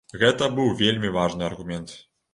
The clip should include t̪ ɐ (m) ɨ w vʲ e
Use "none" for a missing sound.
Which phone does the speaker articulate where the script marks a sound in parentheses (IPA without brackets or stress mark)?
b